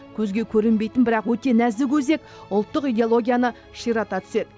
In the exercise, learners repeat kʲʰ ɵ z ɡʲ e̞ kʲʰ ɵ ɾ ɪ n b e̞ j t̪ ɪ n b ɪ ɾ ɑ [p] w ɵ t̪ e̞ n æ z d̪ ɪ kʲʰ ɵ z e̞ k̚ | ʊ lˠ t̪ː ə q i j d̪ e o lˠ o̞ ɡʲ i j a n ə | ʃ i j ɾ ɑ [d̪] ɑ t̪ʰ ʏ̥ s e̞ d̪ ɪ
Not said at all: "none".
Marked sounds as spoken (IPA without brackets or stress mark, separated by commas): q, t̪